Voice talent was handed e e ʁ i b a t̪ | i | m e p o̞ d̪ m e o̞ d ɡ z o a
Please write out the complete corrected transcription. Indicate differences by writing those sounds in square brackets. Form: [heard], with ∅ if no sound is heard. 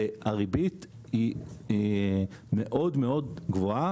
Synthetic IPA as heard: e [a] ʁ i b [i] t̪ | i | m e [ʔ] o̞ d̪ m e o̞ d ɡ [v] o a